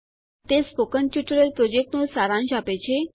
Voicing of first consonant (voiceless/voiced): voiceless